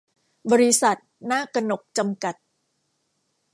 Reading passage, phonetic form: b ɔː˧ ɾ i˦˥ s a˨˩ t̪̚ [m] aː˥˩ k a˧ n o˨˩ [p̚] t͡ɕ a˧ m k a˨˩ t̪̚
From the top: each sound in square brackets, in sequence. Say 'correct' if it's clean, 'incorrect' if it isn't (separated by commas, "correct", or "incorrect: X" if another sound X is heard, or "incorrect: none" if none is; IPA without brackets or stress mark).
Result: incorrect: n, incorrect: k̚